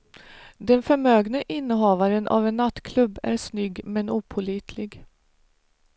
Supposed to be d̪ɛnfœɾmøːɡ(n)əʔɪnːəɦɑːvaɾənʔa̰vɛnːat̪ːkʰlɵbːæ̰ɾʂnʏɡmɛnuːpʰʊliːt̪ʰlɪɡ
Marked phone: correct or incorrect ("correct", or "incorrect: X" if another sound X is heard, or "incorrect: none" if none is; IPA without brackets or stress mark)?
correct